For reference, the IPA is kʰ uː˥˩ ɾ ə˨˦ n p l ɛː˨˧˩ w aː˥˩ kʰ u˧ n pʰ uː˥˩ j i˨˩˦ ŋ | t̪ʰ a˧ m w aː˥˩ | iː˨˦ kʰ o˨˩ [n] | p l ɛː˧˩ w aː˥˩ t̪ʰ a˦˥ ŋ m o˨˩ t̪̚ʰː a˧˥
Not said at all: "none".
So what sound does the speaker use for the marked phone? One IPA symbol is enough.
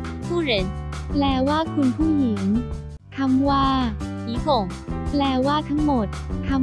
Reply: ŋ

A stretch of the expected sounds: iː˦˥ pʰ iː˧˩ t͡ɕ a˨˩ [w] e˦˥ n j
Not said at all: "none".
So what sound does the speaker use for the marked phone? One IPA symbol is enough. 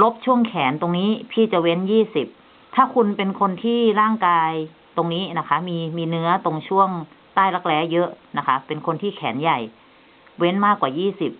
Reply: w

